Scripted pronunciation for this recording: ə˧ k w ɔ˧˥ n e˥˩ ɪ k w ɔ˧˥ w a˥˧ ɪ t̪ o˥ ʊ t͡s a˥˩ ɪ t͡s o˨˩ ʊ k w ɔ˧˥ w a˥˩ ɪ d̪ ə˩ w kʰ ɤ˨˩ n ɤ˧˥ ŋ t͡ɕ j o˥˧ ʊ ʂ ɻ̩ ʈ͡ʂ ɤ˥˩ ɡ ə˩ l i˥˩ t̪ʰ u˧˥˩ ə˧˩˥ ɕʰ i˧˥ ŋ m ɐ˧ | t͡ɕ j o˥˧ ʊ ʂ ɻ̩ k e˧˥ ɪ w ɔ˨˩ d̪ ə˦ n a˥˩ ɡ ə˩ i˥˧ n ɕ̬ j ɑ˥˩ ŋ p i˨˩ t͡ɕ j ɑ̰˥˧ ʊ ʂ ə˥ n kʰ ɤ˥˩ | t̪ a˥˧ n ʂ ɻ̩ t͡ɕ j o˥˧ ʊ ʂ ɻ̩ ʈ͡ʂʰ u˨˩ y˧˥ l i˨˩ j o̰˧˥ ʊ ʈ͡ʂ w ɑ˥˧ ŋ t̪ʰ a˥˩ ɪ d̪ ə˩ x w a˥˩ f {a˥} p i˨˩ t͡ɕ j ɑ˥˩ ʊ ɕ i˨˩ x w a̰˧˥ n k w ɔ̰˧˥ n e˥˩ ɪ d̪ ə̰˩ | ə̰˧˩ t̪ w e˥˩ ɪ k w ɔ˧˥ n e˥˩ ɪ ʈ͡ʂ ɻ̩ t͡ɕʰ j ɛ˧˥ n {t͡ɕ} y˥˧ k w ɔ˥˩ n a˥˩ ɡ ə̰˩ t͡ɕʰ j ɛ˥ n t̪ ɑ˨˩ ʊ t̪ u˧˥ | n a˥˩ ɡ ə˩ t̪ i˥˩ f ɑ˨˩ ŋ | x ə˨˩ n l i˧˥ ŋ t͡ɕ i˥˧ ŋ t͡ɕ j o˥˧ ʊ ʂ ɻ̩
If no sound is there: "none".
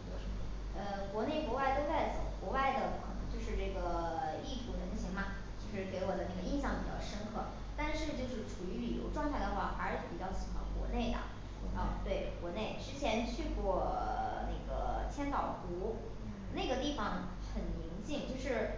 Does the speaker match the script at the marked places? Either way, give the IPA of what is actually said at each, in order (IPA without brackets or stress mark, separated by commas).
a˧˥˧, t͡ɕʰ